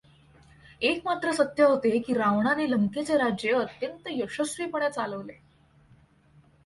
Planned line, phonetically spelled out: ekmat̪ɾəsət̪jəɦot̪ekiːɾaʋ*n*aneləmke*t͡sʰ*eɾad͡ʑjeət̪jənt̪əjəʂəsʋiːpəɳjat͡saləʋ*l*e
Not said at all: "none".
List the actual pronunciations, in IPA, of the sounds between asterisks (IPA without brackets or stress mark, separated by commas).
ɳ, t͡s, l